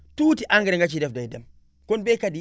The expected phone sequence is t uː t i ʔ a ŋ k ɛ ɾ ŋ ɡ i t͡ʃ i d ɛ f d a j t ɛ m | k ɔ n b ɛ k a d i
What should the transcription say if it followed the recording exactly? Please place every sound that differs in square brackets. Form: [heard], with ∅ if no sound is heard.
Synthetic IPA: t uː t i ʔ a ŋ [ɡ] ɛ ɾ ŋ ɡ [a] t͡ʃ i d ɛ f d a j [d] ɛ m | k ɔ n b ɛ k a d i